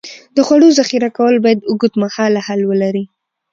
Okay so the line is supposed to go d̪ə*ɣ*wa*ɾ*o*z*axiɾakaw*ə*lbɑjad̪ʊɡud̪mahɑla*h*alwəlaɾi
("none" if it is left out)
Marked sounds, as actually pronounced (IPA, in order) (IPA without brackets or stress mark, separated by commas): x, ɽ, z, ə, h